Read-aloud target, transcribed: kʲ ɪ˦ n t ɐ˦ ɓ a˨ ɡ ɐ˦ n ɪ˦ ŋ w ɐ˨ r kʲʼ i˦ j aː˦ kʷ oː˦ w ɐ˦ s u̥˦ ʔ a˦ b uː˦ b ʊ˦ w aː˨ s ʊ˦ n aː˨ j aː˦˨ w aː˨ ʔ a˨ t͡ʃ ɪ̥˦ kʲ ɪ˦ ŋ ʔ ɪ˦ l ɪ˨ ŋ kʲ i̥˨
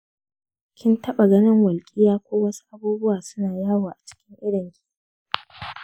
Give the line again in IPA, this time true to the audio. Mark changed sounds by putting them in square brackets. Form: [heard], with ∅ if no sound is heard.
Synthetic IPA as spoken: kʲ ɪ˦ n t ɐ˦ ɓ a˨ ɡ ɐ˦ n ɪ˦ ŋ w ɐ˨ [l] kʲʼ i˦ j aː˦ kʷ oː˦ w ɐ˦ s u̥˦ ʔ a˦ b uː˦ b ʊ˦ w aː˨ s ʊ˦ n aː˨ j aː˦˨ w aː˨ ʔ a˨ t͡ʃ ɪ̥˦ kʲ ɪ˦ ŋ ʔ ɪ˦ [ɽ] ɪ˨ ŋ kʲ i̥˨